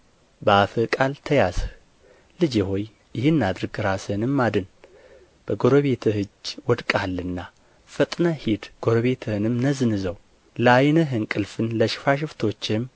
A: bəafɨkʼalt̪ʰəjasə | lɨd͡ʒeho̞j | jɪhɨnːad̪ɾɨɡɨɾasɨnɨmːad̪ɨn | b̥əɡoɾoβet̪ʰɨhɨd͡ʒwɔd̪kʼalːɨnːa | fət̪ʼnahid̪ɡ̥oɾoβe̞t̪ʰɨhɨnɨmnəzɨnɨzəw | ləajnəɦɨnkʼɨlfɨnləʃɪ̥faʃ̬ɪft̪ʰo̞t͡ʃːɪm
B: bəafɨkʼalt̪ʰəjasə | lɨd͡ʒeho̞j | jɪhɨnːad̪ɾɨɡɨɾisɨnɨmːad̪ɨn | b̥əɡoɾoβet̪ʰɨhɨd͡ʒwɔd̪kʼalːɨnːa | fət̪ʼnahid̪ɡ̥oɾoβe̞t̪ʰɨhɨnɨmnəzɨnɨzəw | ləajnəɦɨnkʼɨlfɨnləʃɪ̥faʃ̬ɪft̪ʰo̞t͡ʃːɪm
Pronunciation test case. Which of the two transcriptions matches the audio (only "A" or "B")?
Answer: A